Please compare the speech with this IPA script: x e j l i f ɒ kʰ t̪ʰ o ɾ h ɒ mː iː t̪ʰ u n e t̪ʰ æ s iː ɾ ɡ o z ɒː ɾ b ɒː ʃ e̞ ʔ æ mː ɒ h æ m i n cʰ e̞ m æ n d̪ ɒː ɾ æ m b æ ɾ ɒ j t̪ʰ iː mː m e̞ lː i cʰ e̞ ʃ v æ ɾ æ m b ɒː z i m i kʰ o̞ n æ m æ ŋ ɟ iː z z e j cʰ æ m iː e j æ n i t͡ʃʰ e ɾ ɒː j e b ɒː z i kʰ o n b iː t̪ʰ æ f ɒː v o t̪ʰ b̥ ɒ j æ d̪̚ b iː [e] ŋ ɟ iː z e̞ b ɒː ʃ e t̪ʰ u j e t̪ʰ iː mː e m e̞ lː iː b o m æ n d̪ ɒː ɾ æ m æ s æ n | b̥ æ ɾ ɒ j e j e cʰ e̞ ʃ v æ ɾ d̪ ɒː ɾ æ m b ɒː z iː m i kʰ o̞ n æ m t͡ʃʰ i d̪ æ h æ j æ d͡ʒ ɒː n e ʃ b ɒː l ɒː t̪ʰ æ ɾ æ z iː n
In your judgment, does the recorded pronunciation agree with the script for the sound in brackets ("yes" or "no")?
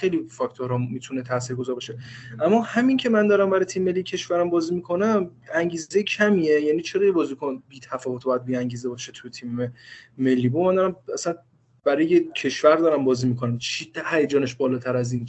no